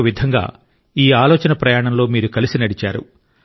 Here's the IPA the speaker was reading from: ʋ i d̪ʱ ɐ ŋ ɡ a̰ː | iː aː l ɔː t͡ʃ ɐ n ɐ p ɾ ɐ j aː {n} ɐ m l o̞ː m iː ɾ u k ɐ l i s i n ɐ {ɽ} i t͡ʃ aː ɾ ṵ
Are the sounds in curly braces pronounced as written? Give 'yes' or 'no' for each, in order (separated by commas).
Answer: no, yes